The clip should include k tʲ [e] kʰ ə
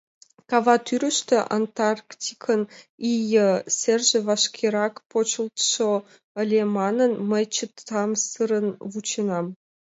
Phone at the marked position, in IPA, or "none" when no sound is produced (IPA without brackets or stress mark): i